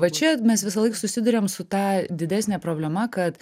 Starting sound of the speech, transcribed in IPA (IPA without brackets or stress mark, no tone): ʋ